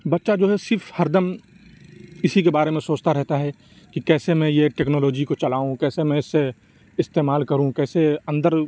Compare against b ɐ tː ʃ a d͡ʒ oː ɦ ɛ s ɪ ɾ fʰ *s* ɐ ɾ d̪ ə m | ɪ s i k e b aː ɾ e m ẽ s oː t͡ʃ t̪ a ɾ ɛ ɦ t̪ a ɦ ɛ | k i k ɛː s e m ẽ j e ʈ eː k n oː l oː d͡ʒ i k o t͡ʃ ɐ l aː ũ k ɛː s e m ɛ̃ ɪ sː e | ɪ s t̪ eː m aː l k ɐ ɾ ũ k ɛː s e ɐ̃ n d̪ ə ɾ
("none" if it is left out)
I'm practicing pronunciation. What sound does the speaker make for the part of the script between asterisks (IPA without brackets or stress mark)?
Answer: h